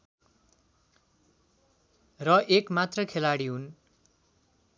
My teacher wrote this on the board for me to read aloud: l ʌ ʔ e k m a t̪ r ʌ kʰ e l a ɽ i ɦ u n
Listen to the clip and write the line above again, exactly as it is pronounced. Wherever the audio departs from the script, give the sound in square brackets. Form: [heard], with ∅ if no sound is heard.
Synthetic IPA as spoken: [r] ʌ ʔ e k m a t̪ r ʌ kʰ e l a ɽ i ɦ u n